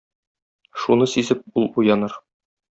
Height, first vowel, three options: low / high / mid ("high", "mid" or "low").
high